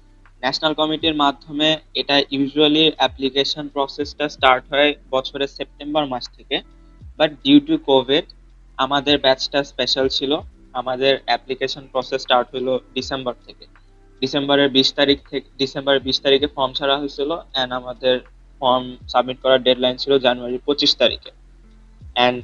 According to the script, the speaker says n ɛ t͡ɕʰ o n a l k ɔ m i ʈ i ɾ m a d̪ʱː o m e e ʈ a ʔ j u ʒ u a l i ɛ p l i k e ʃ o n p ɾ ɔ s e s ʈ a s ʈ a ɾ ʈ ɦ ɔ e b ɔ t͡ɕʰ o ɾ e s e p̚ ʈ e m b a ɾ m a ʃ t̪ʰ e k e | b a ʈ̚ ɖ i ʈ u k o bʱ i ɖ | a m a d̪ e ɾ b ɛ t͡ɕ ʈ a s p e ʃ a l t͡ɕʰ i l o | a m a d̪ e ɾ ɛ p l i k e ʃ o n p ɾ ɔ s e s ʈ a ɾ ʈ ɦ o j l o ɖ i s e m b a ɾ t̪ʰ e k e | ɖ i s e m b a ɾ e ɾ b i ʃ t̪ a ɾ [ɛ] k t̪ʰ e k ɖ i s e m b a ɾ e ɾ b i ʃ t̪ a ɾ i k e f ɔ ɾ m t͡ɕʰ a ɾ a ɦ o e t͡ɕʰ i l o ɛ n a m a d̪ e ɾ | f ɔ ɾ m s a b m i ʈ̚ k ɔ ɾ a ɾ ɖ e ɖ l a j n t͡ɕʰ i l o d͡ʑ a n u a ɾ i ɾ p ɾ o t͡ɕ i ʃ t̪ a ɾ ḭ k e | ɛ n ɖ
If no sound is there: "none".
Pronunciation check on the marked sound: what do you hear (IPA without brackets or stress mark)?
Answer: i